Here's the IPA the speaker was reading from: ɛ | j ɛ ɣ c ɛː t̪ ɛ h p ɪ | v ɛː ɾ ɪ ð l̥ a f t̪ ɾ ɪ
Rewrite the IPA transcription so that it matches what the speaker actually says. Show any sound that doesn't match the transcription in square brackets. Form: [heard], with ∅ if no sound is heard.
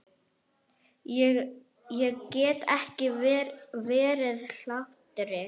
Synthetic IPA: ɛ | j ɛ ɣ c ɛː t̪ ɛ h [c] ɪ | v ɛː ɾ ɪ ð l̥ a [h] t̪ ɾ ɪ